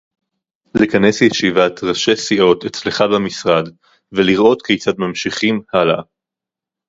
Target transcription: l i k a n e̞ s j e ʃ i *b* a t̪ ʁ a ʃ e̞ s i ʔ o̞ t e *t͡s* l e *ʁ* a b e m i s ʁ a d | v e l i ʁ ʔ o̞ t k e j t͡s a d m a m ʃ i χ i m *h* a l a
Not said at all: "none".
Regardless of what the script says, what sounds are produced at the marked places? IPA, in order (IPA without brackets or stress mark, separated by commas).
v, t͡s, χ, h